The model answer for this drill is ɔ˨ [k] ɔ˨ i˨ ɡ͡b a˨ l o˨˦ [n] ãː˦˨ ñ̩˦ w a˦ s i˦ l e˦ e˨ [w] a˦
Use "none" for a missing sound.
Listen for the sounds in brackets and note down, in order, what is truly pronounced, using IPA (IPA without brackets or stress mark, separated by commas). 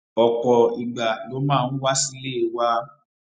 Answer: k, m, w